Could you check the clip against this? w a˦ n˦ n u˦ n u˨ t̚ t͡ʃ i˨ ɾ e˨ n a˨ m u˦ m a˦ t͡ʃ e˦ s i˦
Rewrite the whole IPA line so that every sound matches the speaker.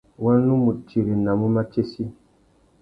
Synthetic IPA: w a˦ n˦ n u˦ m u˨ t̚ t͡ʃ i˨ ɾ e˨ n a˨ m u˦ m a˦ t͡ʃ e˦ s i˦